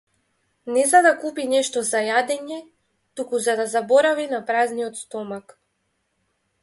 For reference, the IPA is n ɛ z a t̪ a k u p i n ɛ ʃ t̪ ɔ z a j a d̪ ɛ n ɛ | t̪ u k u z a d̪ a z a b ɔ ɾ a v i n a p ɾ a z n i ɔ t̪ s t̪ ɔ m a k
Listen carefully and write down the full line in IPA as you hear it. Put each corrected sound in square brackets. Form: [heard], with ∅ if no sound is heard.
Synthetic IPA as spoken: n ɛ z a [d̪] a k u p i n ɛ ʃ t̪ ɔ z a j a d̪ ɛ [ɲ] ɛ | t̪ u k u z a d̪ a z a b ɔ ɾ a v i n a p ɾ a z n i ɔ t̪ s t̪ ɔ m a k